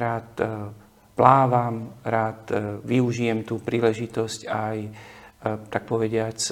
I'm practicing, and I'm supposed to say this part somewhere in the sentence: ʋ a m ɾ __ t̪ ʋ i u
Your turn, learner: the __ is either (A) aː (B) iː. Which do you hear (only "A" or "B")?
A